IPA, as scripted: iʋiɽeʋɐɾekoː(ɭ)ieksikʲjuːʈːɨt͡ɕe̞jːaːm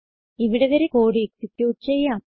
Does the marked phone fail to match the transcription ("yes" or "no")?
yes